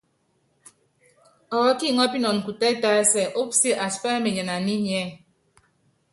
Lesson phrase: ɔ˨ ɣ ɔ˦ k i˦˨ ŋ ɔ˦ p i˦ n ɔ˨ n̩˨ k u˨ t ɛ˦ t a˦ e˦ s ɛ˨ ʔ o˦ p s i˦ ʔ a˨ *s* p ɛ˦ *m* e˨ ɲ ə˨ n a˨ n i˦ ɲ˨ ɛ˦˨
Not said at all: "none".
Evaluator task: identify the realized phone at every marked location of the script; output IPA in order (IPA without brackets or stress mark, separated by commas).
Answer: s, m